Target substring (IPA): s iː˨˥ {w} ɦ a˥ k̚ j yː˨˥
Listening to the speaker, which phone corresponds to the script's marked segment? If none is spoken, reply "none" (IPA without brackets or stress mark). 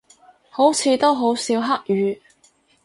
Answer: w